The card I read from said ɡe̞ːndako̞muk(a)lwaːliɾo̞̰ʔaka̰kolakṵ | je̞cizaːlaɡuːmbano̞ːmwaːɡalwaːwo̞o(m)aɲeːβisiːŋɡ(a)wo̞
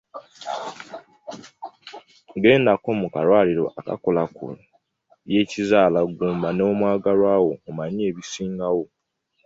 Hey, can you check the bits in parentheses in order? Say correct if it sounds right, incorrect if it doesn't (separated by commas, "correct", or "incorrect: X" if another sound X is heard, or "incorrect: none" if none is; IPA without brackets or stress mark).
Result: correct, correct, correct